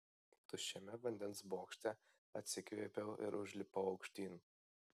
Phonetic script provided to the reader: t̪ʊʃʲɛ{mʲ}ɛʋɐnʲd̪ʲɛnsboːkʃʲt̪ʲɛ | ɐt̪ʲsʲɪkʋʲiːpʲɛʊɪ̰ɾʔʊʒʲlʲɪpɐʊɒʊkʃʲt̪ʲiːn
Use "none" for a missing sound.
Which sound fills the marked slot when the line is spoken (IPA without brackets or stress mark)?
mʲ